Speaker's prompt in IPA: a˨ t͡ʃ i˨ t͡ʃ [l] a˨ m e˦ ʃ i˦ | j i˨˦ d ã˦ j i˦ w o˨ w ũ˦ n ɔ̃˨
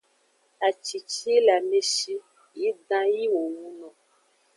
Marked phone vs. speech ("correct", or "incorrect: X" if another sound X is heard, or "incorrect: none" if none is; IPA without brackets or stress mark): correct